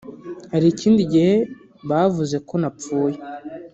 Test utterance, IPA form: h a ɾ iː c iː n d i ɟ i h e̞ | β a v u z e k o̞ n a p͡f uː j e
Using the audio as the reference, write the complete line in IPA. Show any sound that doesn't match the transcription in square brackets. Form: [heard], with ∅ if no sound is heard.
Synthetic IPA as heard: h a ɾ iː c iː n d i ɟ i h e̞ | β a v u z e k o̞ n a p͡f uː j e

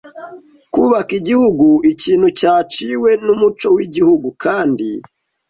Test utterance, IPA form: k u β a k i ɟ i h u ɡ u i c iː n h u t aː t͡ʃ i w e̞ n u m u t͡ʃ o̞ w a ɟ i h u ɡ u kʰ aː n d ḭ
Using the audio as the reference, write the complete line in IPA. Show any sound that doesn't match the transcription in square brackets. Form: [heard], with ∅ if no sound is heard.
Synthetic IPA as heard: k u β a k i ɟ i h u ɡ u i c iː n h u [c] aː t͡ʃ i w e̞ n u m u t͡ʃ o̞ w [i] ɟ i h u ɡ u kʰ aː n d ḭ

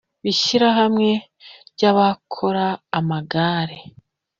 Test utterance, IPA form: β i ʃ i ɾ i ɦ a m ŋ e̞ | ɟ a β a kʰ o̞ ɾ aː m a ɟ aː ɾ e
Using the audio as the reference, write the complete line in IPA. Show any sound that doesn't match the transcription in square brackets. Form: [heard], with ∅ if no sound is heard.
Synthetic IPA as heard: β i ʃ i ɾ [a] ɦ a m ŋ e̞ | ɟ a β a kʰ o̞ ɾ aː m a [ɡ] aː ɾ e

